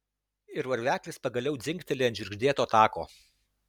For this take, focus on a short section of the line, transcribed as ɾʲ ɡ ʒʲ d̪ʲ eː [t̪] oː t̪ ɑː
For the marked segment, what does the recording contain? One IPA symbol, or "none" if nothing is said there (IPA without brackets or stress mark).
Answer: t̪